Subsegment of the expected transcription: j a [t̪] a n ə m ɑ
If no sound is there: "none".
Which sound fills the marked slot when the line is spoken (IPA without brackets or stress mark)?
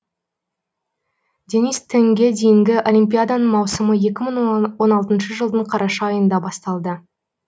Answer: d̪